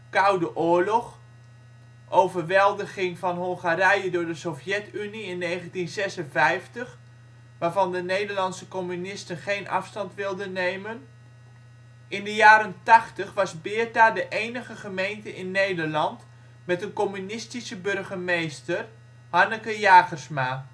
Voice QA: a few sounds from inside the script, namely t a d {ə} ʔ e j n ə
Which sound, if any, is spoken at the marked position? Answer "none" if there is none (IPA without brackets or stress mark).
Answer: ə